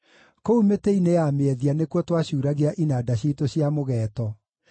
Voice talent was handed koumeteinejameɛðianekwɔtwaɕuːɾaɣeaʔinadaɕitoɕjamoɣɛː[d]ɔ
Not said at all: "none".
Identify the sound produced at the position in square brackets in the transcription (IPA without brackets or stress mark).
t